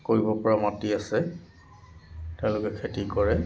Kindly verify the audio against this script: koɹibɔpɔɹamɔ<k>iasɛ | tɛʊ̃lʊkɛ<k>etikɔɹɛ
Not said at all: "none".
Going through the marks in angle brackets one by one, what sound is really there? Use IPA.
t, kʰ

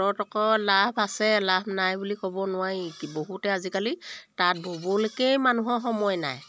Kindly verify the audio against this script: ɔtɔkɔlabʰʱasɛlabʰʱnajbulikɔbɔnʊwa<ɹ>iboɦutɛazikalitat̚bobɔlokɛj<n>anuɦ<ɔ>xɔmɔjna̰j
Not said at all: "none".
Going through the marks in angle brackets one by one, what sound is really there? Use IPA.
ɹ, m, ɔ

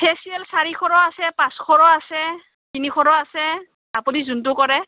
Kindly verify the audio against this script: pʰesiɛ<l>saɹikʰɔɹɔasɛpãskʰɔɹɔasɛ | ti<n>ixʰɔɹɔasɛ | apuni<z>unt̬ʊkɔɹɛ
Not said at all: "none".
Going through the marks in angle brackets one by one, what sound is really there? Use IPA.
l, n, z

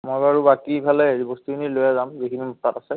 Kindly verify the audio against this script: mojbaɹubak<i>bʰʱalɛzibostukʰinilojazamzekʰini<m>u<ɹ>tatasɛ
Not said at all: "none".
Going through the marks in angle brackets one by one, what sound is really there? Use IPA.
i, m, none

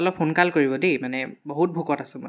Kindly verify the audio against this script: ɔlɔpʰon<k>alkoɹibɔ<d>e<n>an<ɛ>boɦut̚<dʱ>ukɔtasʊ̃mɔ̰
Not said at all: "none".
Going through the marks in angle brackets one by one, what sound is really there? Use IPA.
k, d, m, ɛ, bʱ

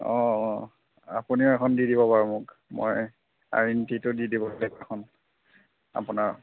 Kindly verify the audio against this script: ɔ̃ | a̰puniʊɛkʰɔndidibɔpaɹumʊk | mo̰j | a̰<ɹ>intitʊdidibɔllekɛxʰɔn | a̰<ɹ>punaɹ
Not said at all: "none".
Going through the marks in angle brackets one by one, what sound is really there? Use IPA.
ɹ, none

